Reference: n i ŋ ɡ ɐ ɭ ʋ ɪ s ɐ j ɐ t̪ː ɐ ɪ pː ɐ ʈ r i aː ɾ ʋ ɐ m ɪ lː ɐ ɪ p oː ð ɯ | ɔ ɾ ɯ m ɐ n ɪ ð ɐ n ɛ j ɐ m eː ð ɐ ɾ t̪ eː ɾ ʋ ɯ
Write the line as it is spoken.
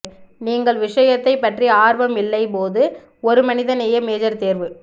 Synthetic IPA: n iː ŋ ɡ ɐ ɭ ʋ ɪ ʂ ɐ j ɐ t̪ː ɐ ɪ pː ɐ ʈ r i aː ɾ ʋ ɐ m ɪ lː ɐ ɪ p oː ð ɯ | ɔ ɾ ɯ m ɐ n ɪ ð ɐ n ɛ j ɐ m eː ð ɐ ɾ t̪ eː ɾ ʋ ɯ

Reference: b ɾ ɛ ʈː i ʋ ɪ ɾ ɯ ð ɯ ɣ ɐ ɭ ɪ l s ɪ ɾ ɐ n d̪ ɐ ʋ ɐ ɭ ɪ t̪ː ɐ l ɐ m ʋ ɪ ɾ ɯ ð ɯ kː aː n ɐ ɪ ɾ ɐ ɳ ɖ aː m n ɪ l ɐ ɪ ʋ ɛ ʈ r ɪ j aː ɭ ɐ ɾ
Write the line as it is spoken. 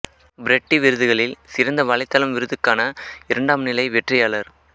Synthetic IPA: b ɾ ɛ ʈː i ʋ ɪ ɾ ɯ ð ɯ ɣ ɐ ɭ ɪ l s ɪ ɾ ɐ n d̪ ɐ ʋ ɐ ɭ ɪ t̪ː ɐ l ɐ m ʋ ɪ ɾ ɯ ð ɯ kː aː n ɐ ɪ ɾ ɐ ɳ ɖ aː m n ɪ l ɐ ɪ ʋ ɛ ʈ r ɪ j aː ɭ ɐ ɾ

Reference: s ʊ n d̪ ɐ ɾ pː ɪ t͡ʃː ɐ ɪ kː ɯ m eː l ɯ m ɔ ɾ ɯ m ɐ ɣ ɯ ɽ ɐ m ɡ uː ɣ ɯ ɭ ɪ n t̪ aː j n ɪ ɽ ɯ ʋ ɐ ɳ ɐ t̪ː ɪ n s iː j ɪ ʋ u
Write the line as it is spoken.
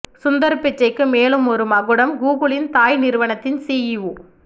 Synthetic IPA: s ʊ n d̪ ɐ ɾ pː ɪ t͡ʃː ɐ ɪ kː ɯ m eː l ɯ m ɔ ɾ ɯ m ɐ ɣ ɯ ɽ ɐ m ɡ uː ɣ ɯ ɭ ɪ n t̪ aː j n ɪ ɾ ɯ ʋ ɐ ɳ ɐ t̪ː ɪ n s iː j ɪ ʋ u

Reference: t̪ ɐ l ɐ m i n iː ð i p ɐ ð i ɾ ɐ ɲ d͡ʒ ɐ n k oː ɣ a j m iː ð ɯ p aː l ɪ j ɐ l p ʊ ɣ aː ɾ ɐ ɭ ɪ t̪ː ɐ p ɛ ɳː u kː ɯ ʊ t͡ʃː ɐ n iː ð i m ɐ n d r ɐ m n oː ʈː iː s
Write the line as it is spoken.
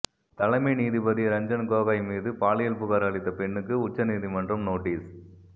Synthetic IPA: t̪ ɐ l ɐ m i n iː ð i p ɐ ð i ɾ ɐ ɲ d͡ʒ ɐ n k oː ɣ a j m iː ð ɯ p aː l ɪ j ɐ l p ʊ ɣ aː ɾ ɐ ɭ ɪ t̪ː ɐ p ɛ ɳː ɯ kː ɯ ʊ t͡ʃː ɐ n iː ð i m ɐ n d r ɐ m n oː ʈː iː s

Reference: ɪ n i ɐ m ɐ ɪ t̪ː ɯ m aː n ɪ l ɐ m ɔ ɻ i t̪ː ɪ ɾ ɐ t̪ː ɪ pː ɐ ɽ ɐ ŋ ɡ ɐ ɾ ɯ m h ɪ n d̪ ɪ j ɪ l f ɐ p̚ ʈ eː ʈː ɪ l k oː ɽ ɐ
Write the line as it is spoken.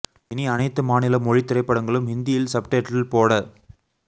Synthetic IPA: ɪ n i ɐ n ɐ ɪ t̪ː ɯ m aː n ɪ l ɐ m ɔ ɻ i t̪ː ɪ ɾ ɐ ɪ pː ɐ ɽ ɐ ŋ ɡ ɐ ɭ ɯ m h ɪ n d̪ ɪ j ɪ l s ɐ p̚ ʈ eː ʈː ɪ l p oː ɽ ɐ

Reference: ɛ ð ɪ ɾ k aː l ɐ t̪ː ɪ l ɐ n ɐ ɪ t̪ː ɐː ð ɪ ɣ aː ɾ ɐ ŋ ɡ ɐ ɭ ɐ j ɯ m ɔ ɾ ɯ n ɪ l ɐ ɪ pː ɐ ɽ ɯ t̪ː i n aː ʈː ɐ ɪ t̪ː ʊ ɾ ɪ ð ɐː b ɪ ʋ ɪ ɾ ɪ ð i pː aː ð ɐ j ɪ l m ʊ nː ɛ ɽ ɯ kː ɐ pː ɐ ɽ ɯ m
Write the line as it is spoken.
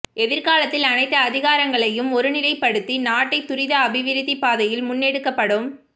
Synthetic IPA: ɛ ð ɪ ɾ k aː l ɐ t̪ː ɪ l ɐ n ɐ ɪ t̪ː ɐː ð ɪ ɣ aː ɾ ɐ ŋ ɡ ɐ ɭ ɐ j ɯ m ɔ ɾ ɯ n ɪ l ɐ ɪ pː ɐ ɽ ɯ t̪ː i n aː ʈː ɐ ɪ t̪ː ʊ ɾ ɪ ð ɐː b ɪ ʋ ɪ ɾ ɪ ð i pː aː ð ɐ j ɪ l m ʊ nː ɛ ɽ ɯ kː ɐ pː ɐ ɽ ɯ m

